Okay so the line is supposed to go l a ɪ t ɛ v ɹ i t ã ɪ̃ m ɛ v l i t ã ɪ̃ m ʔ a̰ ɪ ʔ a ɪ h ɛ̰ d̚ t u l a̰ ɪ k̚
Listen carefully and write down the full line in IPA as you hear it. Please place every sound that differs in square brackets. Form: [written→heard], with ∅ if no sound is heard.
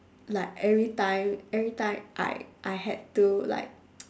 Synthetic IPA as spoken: l a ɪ [t→k] ɛ v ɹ i t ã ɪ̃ m ɛ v [l→ɹ] i t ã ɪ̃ m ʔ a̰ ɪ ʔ a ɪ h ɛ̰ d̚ t u l a̰ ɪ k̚